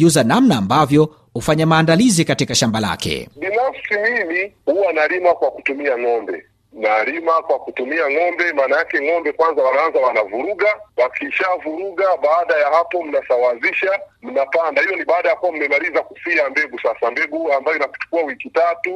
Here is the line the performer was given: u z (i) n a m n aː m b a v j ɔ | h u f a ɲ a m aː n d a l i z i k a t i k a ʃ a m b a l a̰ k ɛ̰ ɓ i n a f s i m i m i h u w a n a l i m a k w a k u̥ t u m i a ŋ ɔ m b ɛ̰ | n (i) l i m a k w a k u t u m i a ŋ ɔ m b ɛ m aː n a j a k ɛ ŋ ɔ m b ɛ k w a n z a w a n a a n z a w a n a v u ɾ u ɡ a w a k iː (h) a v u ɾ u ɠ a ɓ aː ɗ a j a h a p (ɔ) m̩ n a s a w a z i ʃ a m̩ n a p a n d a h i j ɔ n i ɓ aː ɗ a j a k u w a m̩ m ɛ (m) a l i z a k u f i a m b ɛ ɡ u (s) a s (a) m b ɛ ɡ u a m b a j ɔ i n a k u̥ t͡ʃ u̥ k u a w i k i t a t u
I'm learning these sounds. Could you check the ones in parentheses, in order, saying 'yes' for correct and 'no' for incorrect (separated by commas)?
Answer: no, no, no, yes, yes, yes, yes